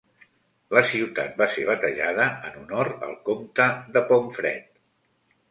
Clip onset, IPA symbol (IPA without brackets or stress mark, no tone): l